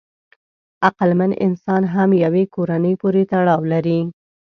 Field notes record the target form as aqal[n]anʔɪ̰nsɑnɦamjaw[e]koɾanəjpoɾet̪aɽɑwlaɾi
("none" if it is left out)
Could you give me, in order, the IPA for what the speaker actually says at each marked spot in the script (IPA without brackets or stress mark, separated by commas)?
m, e